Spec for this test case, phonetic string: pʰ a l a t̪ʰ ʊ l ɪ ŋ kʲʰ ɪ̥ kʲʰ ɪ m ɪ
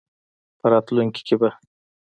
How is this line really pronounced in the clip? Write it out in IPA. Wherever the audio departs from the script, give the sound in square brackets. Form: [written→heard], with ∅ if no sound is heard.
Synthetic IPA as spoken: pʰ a [l→ɾ] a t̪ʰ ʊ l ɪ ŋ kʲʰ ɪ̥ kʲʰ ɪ [m→b] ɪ

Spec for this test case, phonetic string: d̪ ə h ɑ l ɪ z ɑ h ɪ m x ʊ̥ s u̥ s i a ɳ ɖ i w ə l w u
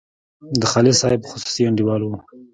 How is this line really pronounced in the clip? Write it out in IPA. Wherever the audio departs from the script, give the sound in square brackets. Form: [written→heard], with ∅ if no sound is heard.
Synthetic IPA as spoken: d̪ ə [h→x] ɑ l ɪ [z→s] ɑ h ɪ [m→b] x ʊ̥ s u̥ s i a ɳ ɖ i w [ə→ɑ] l w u

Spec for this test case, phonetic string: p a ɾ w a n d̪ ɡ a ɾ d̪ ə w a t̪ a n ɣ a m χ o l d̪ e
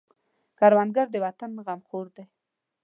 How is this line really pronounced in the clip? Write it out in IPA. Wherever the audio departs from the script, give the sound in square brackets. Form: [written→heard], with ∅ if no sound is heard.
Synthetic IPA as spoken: [p→k] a ɾ w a n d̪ ɡ a ɾ d̪ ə w a t̪ a n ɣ a m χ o [l→ɾ] d̪ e

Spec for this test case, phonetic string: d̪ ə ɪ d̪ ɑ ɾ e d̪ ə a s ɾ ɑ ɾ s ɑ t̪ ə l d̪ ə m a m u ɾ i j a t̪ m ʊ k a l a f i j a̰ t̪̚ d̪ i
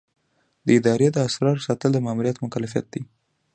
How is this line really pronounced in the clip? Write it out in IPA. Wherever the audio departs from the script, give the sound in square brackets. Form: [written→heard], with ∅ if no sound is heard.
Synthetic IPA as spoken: d̪ ə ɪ d̪ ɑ ɾ e d̪ ə a s ɾ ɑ ɾ s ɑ t̪ ə l d̪ ə m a m u ɾ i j a t̪ m ʊ k a l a f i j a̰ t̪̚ d̪ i

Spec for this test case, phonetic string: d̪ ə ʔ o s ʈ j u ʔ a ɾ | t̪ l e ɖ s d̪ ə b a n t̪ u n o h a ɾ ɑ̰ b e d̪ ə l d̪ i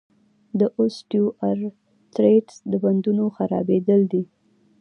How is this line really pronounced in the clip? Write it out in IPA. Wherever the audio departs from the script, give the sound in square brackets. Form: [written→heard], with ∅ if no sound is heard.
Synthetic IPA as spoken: d̪ ə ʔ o s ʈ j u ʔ a ɾ | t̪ [l→ɾ] e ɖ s d̪ ə b a n [t̪→d̪] u n o [h→x] a ɾ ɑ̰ b e d̪ ə l d̪ i

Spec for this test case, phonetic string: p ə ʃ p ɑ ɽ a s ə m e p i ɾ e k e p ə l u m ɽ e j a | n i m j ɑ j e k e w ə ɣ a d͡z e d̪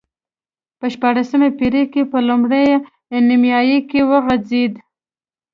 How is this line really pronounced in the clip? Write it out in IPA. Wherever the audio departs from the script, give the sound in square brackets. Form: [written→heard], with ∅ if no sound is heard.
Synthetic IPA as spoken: p ə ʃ p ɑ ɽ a s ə m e p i ɾ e k e p ə l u m ɽ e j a | n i m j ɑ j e k e w ə ɣ a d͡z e d̪

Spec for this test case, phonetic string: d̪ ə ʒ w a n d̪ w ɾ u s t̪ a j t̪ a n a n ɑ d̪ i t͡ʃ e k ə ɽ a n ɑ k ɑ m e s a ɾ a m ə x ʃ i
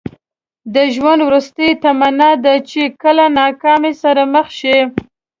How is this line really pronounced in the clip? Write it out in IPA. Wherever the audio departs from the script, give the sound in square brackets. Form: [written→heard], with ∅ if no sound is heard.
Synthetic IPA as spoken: d̪ ə ʒ w a n d̪ w ɾ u s t̪ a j t̪ a [n→m] a n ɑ d̪ [i→a] t͡ʃ e k ə [ɽ→l] a n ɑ k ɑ m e s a ɾ a m ə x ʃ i

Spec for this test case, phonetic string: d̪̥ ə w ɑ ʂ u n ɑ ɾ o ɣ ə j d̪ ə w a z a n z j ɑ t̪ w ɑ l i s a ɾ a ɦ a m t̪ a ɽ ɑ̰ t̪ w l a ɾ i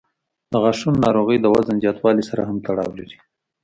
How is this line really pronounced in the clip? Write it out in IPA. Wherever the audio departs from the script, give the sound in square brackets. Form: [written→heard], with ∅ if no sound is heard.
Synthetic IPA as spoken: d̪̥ ə [w→ɣ] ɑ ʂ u [n→nː] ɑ ɾ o ɣ ə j d̪ ə w a z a n z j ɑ t̪ w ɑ l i s a ɾ a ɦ a m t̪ a ɽ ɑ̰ [t̪→∅] w l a ɾ i

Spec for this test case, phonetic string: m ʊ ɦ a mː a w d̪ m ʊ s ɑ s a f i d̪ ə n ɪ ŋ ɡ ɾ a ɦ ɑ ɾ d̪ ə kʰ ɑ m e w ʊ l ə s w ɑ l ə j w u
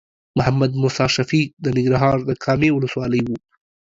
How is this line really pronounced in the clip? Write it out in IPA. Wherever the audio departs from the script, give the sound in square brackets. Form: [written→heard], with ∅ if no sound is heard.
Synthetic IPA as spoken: m ʊ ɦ a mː a [w→∅] d̪ m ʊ s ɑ [s→ʃ] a f i d̪ ə n ɪ ŋ ɡ ɾ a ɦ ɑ ɾ d̪ ə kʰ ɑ m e w ʊ l ə s w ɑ l ə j w u

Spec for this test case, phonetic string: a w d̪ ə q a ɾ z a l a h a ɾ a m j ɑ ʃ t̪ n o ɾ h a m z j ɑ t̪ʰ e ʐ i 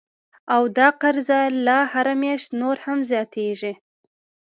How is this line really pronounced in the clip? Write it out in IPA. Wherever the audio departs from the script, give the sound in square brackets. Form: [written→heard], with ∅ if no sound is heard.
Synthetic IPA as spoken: a w d̪ [ə→ɑ] q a ɾ z a l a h a ɾ a m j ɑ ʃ t̪ n o ɾ h a m z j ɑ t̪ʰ e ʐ i

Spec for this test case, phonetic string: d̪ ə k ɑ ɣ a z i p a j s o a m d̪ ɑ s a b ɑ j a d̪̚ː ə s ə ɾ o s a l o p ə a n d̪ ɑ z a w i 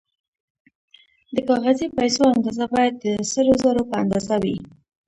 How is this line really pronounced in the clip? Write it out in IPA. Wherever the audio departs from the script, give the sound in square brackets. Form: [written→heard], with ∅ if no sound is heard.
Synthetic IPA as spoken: d̪ ə k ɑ ɣ a z i p a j s o a [m→n] d̪ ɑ [s→z] a b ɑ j a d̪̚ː ə s ə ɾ o [s→z] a [l→ɾ] o p ə a n d̪ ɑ z a w i

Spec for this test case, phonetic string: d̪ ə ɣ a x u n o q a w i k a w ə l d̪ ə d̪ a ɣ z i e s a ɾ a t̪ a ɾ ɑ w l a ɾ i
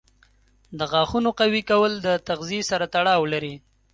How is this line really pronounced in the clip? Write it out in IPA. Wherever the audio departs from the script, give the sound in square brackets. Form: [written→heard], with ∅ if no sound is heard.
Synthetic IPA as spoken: d̪ ə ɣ [a→ɑ] x u n o q a w i k a w ə l d̪ ə [d̪→t̪] a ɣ z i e s a ɾ a t̪ a [ɾ→ɽ] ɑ w l a ɾ i

